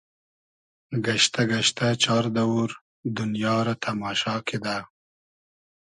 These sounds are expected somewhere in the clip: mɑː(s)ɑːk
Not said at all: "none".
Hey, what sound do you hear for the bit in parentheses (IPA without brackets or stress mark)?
ʃ